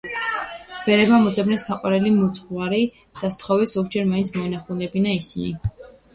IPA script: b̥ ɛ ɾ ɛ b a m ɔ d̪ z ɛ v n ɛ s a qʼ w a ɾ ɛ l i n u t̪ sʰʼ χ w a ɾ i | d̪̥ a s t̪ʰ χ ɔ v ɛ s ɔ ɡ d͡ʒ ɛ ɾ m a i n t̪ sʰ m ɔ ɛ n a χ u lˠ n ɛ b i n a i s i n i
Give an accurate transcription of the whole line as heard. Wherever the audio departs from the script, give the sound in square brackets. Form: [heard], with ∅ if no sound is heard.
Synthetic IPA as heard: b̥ ɛ ɾ ɛ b a m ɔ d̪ z ɛ [b] n ɛ s a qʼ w a ɾ ɛ l i [m] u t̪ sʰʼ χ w a ɾ i | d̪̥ a s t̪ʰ χ ɔ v ɛ s ɔ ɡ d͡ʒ ɛ ɾ m a i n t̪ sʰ m ɔ ɛ n a χ u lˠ n ɛ b i n a i s i n i